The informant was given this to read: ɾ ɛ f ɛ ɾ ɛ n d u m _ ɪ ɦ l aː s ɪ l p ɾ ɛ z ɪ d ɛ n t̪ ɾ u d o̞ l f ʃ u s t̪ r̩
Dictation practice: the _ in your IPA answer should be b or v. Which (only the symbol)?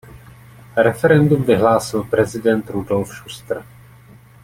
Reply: v